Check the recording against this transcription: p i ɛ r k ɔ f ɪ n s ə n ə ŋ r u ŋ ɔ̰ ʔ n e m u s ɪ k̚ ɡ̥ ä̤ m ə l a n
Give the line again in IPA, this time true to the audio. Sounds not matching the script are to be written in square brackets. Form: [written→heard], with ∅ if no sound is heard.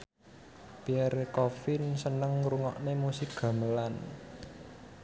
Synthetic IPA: p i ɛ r k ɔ f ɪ n s ə n ə ŋ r u ŋ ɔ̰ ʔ n e m u s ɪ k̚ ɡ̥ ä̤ m ə l a n